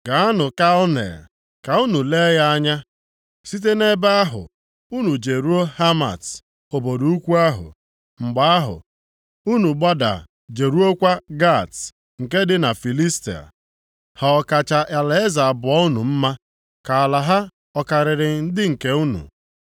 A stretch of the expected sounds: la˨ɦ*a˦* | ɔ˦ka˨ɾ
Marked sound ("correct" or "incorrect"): correct